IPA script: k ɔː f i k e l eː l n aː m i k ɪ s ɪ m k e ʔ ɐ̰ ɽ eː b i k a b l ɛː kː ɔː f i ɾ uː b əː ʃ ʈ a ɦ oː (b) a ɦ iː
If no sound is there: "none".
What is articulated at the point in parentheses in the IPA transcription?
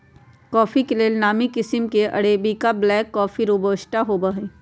b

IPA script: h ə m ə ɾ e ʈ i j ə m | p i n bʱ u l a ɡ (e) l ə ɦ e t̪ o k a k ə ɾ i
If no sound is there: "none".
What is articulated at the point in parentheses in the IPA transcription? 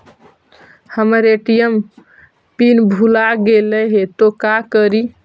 e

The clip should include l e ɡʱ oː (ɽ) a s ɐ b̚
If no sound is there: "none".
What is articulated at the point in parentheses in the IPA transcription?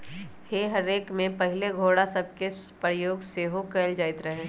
ɽ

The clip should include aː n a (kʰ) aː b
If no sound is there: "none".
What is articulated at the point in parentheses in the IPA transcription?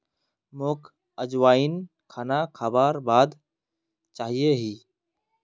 kʰ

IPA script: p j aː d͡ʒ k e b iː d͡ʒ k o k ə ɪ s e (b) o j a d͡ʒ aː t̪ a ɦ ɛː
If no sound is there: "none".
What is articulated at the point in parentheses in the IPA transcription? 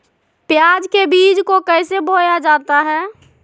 b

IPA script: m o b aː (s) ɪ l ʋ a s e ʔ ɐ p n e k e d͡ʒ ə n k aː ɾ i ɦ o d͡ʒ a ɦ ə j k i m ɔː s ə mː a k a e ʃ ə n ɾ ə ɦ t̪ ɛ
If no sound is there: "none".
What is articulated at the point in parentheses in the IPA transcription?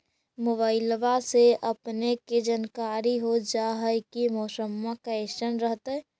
none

